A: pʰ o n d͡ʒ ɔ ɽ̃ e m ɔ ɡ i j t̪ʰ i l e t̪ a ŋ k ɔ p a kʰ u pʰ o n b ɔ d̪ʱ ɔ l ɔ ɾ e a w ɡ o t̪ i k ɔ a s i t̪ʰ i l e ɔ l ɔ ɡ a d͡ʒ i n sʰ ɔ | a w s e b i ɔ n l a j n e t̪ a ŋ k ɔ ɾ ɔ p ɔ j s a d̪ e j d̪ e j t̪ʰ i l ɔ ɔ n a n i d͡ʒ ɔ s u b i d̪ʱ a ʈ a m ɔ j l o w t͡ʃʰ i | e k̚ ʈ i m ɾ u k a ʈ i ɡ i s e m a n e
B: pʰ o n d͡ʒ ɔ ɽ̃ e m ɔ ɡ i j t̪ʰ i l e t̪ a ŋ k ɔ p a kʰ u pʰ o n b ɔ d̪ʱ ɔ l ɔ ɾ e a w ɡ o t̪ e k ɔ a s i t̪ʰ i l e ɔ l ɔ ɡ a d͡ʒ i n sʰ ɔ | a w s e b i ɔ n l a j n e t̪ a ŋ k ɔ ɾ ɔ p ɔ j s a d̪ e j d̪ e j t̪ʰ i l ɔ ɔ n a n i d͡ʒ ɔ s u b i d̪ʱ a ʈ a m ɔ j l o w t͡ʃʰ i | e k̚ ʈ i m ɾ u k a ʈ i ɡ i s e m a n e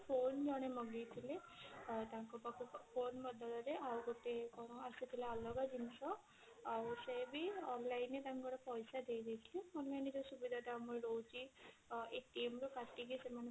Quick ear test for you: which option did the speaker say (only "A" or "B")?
B